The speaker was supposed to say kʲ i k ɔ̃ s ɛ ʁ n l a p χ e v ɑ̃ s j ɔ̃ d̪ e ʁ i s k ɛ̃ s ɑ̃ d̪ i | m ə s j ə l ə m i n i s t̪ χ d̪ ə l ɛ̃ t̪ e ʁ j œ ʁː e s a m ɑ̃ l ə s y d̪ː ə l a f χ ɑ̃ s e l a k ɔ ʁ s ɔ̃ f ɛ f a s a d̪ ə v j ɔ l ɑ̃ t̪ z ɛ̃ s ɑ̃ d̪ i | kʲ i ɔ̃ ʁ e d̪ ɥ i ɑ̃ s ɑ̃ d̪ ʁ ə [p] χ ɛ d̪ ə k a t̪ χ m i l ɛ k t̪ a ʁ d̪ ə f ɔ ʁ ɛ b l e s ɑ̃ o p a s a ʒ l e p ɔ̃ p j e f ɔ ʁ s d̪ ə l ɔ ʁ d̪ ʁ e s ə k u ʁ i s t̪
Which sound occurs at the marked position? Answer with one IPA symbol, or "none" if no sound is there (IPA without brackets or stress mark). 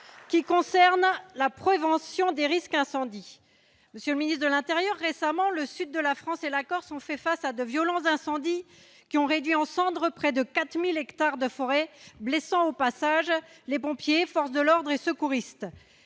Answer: p